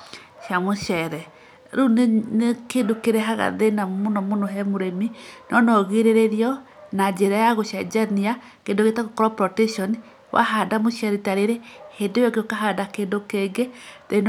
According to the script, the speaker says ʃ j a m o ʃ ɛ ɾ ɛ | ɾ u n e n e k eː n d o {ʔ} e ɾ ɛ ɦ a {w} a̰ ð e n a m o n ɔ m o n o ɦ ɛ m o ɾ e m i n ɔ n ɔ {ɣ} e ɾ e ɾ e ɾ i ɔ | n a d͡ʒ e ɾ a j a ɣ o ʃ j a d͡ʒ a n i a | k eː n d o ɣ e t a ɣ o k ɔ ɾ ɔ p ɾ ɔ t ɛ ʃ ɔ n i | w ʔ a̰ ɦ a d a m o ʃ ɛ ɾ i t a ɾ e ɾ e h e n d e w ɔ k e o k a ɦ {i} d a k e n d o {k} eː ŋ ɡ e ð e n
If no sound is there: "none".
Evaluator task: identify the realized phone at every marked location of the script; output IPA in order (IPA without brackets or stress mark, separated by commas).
k, ɣ, ɣ, a, k